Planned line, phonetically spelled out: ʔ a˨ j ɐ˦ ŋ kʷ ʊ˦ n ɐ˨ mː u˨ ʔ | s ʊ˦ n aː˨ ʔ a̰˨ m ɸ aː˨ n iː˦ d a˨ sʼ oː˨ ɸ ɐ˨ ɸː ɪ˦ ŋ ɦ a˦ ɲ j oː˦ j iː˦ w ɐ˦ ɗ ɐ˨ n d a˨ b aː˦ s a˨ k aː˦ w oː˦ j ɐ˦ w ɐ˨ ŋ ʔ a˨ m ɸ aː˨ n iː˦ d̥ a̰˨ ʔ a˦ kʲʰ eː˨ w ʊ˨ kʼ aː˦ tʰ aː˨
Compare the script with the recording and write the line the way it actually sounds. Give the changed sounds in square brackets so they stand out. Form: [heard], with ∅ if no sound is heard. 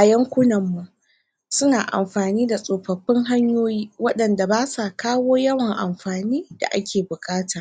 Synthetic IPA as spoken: ʔ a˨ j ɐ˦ ŋ kʷ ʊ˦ n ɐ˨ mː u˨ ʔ | s ʊ˦ n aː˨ ʔ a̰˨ m ɸ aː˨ n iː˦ d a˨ sʼ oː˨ ɸ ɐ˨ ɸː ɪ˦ ŋ ɦ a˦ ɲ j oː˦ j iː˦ w ɐ˦ ɗ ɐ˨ n d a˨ b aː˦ s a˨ k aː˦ w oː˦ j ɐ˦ w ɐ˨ ŋ ʔ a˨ m ɸ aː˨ n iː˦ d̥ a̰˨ ʔ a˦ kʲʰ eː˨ [b] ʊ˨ kʼ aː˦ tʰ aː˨